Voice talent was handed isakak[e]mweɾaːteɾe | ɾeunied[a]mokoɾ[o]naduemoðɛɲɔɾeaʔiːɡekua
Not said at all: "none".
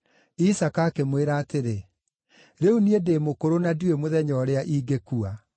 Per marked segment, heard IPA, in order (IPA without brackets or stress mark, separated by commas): e, e, o